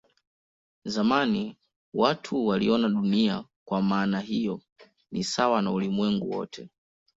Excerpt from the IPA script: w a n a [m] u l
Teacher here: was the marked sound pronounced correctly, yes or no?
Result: no